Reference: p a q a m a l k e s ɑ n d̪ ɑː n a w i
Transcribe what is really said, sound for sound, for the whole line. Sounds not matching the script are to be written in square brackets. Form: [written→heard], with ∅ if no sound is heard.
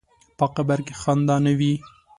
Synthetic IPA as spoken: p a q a [m→b] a [l→ɾ] k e [s→x] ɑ n d̪ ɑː n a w i